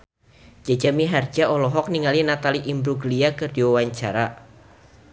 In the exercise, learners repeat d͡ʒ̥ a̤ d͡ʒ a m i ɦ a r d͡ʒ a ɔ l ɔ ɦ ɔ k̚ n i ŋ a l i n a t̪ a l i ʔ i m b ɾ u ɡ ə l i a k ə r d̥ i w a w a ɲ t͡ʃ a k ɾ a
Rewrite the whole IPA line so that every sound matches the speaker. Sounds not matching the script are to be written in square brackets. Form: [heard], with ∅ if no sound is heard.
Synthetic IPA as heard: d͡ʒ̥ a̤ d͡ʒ a m i ɦ a r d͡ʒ a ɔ l ɔ ɦ ɔ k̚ n i ŋ a l i n a t̪ a l i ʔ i m b ɾ u ɡ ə l i a k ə r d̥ i w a w a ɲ t͡ʃ a [∅] ɾ a

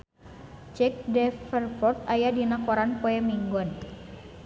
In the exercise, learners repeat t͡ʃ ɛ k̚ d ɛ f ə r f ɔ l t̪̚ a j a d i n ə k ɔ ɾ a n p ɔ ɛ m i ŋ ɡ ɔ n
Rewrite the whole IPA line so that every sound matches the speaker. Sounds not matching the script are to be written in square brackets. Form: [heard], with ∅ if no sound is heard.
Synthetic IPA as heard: t͡ʃ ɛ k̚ d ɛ f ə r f ɔ [r] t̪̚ a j a d i n [a] k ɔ ɾ a n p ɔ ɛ m i ŋ ɡ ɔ n

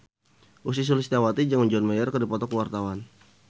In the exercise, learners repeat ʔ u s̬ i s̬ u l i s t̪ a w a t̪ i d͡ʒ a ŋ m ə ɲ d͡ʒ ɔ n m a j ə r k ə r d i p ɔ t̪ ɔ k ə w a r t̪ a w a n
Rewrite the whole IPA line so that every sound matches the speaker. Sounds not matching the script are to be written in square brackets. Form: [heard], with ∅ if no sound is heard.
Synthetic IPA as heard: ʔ u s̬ i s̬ u l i s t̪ a w a t̪ i d͡ʒ a ŋ m ə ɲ d͡ʒ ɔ n m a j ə r k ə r d i p ɔ t̪ ɔ k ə w a r t̪ a w a n

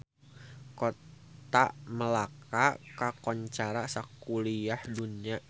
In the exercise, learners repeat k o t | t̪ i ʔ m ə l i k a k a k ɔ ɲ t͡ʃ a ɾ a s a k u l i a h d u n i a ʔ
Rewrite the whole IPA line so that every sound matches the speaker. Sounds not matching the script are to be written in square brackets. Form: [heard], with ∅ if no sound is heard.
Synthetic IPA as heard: k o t | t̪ [a] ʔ m ə l [a] k a k a k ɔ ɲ t͡ʃ a ɾ a s a k u l i a h d u n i a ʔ

